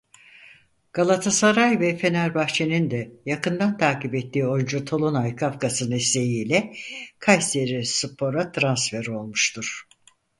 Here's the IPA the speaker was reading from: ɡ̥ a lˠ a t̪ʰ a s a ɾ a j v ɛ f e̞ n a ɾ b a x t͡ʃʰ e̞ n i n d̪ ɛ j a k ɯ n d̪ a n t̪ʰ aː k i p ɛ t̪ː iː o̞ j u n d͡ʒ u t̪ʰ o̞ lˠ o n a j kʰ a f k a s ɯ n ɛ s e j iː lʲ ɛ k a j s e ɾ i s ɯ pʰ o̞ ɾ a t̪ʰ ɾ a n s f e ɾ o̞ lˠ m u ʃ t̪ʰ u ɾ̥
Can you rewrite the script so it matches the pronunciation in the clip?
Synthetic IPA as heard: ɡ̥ a lˠ a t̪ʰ a s a ɾ a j v ɛ f e̞ n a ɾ b a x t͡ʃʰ e̞ n i n d̪ ɛ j a k ɯ n d̪ a n t̪ʰ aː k i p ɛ t̪ː iː o̞ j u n d͡ʒ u t̪ʰ o̞ lˠ o n a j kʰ a f k a s ɯ n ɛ s e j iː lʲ ɛ kʰ a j s e ɾ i s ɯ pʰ o̞ ɾ a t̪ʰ ɾ a n s f e ɾ o̞ lˠ m u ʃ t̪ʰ u ɾ̥

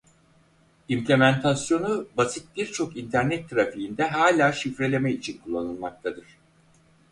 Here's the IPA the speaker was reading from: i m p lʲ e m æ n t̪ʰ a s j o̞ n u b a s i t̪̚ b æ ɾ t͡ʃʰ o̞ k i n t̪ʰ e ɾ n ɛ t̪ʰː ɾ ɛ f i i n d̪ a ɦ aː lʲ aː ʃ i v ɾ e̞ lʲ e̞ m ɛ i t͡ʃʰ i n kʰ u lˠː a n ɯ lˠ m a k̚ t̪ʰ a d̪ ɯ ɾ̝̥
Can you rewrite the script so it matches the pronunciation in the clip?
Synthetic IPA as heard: i m p lʲ e m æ n t̪ʰ a s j o̞ n u b a s i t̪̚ b i ɾ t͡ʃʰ o̞ k i n t̪ʰ æ ɾ n ɛ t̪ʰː ɾ a f i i n d̪ ɛ ɦ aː lʲ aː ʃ i f ɾ e̞ lʲ e̞ m ɛ i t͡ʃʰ i n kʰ u lˠː a n ɯ lˠ m a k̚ t̪ʰ a d̪ ɯ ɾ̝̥

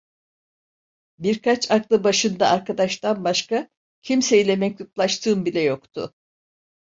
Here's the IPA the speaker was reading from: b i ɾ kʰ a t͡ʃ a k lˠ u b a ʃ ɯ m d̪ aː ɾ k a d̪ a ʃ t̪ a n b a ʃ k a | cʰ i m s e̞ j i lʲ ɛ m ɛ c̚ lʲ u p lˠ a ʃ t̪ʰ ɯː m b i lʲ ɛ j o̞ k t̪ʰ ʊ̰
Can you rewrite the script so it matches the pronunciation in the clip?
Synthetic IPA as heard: b i ɾ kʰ a t͡ʃ a k lˠ ɯ b a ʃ ɯ n d̪ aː ɾ k a d̪ a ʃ t̪ a n b a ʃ k a | cʰ i m s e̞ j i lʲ ɛ m ɛ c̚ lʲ u p lˠ a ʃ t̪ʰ ɯː m b i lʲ ɛ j o̞ k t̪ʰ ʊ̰

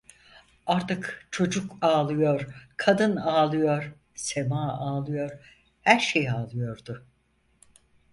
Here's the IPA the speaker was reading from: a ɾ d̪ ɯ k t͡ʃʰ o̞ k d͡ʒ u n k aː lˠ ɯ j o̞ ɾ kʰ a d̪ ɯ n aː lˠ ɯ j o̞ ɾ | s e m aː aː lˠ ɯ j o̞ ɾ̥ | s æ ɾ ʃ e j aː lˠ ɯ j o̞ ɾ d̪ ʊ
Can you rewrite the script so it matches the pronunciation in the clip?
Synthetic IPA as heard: a ɾ t̪ ɯ k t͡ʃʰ o̞ d͡ʒ u k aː lˠ ɯ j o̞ ɾ kʰ a d̪ ɯ n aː lˠ ɯ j o̞ ɾ | s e m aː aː lˠ ɯ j o̞ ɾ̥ | h æ ɾ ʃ e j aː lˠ ɯ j o̞ ɾ d̪ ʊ

